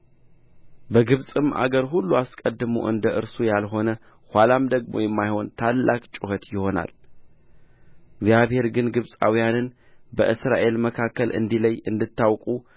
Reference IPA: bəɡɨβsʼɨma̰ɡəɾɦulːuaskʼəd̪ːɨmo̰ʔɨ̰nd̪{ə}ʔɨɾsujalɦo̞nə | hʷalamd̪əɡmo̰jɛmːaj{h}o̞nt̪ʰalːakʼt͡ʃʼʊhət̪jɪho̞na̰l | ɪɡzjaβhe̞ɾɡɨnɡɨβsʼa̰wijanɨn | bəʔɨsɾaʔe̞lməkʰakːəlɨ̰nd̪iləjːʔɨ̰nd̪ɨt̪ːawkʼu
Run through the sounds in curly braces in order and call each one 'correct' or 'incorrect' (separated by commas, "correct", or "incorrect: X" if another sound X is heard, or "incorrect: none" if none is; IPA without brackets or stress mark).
correct, correct